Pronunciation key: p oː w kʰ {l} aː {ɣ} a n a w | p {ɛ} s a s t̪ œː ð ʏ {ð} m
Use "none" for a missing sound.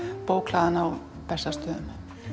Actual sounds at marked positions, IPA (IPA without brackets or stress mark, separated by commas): l, ð, ɛ, none